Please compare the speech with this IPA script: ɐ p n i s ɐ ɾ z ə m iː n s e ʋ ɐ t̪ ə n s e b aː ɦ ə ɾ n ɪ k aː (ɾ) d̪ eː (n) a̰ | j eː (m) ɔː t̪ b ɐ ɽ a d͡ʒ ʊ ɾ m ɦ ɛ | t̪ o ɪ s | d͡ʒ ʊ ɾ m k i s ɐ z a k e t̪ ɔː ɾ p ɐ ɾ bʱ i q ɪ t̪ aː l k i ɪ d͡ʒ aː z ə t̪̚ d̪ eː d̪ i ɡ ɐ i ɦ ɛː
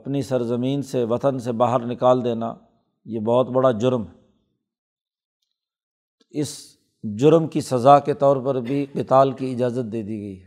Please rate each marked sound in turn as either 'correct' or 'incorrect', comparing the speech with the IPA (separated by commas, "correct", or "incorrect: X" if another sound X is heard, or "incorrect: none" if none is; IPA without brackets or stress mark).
incorrect: l, correct, incorrect: b